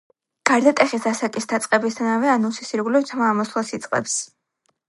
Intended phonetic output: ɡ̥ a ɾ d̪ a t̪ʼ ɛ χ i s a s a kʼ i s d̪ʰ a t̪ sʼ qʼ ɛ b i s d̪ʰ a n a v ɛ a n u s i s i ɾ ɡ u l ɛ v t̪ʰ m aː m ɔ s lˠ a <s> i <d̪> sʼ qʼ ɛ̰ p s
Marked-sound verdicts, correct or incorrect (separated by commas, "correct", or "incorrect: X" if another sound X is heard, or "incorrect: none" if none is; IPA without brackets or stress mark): correct, incorrect: t̪